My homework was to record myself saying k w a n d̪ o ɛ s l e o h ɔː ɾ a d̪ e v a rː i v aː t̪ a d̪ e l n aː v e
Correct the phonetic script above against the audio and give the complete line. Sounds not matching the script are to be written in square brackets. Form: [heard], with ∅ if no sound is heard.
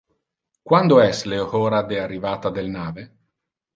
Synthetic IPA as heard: k w a n d̪ o ɛ s l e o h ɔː ɾ a d̪ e [∅] a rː i v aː t̪ a d̪ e l n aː v e